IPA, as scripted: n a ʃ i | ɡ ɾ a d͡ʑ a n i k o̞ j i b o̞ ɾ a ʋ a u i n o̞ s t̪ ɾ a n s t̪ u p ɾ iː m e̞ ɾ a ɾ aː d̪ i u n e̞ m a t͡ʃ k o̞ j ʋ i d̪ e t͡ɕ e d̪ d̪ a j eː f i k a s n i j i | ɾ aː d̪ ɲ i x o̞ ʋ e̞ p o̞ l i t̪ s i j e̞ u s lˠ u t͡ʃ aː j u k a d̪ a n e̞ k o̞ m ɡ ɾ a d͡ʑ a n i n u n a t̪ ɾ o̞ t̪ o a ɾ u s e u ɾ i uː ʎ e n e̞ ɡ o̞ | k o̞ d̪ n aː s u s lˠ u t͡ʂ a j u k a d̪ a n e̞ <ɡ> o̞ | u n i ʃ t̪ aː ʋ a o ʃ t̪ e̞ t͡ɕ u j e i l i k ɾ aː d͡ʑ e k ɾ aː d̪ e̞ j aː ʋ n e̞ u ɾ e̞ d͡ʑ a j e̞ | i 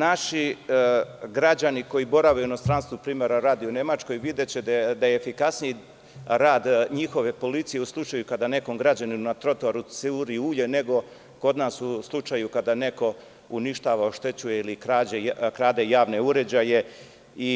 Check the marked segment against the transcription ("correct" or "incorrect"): incorrect